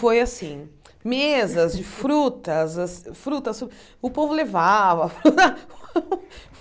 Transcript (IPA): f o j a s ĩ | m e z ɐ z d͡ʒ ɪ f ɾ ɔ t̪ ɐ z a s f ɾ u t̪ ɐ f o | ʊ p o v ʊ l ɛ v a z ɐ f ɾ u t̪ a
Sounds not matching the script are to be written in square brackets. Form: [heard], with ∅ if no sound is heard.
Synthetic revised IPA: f o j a s ĩ | m e z ɐ z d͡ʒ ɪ f ɾ [u] t̪ ɐ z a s f ɾ u t̪ ɐ [s] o | ʊ p o v ʊ l [e] v a [v] ɐ f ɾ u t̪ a